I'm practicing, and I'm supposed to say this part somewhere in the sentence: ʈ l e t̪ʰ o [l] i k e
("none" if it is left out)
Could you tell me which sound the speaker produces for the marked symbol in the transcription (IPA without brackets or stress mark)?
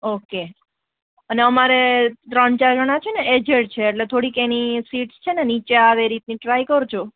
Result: ɽ